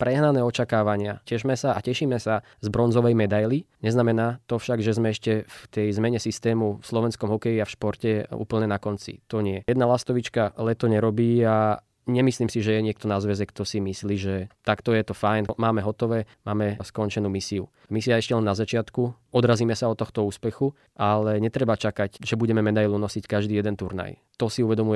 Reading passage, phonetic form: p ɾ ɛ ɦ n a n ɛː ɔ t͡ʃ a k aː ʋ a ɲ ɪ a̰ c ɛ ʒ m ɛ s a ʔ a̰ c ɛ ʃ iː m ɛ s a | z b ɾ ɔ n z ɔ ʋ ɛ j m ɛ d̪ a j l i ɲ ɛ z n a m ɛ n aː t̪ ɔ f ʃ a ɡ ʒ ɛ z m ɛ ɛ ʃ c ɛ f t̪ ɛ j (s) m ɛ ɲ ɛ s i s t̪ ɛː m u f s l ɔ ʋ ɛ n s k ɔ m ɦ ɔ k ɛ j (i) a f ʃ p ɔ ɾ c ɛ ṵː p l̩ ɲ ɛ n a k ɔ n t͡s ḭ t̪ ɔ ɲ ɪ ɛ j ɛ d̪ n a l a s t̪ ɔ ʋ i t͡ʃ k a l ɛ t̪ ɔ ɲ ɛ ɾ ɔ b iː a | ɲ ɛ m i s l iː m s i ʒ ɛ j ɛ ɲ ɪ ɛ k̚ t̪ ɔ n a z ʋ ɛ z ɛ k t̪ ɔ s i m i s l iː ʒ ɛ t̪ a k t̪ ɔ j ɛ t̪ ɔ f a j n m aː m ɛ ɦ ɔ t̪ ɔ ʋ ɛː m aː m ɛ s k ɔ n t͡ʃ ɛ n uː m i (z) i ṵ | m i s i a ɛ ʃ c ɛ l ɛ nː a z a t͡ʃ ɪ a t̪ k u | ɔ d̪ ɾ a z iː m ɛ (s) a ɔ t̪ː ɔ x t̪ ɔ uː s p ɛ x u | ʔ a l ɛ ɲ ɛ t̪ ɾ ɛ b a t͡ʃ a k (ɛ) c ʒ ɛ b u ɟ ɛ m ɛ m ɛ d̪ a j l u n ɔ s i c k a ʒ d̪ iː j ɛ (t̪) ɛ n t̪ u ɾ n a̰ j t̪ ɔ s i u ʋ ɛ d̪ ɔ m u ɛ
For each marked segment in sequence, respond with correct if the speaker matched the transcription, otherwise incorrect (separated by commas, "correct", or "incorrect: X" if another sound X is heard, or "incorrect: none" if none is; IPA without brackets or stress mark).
incorrect: z, correct, incorrect: s, correct, incorrect: a, incorrect: d̪